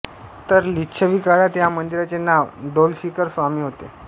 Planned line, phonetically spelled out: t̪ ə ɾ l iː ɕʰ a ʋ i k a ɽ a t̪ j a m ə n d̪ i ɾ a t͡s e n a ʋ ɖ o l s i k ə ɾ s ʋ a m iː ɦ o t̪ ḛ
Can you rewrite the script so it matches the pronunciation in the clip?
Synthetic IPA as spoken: t̪ ə ɾ l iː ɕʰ ə ʋ i k a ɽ a t̪ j a m ə n d̪ i ɾ a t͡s e n a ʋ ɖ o l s i k ə ɾ s ʋ a m iː ɦ o t̪ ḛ